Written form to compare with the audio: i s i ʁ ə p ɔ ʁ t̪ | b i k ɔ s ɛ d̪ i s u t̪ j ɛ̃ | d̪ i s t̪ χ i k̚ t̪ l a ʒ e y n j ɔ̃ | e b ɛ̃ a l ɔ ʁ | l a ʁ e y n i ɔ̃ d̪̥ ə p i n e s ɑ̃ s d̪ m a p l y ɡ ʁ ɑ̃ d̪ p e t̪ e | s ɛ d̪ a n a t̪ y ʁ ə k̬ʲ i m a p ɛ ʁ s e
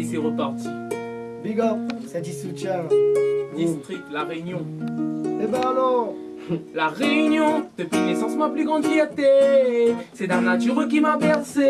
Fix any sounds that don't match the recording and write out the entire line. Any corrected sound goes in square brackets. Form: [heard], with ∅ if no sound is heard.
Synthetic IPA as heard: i s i ʁ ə p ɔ ʁ t̪ | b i [ɡ] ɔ s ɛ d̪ i s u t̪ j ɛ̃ | d̪ i s t̪ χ i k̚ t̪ l a [ʁ] e y n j ɔ̃ | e b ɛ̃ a l ɔ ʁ | l a ʁ e y n [j] ɔ̃ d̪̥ ə p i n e s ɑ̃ s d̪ m a p l y ɡ ʁ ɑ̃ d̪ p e t̪ e | s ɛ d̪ a n a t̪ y ʁ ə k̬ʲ i m a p ɛ ʁ s e